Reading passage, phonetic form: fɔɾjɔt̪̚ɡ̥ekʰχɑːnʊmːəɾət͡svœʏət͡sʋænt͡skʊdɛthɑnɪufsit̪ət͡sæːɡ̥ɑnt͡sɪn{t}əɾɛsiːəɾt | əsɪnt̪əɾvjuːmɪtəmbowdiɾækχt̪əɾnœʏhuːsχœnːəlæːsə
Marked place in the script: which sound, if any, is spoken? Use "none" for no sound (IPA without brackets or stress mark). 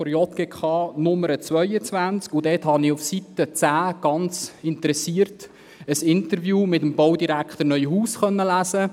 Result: t